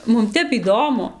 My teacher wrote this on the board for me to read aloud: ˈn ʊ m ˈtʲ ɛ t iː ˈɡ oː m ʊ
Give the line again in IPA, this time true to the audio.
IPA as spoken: ˈm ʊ m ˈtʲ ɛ p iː ˈd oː m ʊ